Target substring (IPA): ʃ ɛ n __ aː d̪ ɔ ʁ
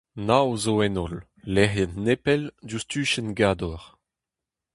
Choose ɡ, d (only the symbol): ɡ